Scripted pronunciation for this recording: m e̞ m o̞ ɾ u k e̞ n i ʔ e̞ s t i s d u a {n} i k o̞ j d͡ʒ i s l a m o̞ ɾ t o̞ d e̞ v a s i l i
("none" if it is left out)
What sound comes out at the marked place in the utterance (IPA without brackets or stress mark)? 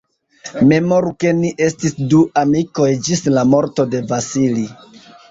m